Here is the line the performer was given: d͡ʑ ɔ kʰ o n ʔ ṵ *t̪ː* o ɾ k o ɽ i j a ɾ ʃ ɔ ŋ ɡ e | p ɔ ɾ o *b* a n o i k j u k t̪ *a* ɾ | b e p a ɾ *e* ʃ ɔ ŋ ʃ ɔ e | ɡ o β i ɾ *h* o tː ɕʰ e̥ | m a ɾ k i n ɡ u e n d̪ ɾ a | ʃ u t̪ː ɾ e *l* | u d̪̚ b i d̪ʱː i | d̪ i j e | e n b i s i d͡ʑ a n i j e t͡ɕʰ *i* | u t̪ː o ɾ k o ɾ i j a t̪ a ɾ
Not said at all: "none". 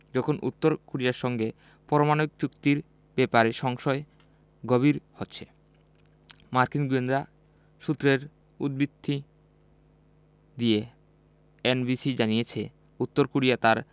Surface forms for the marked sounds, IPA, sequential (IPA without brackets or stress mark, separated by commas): t̪ː, m, i, e, h, ɾ, e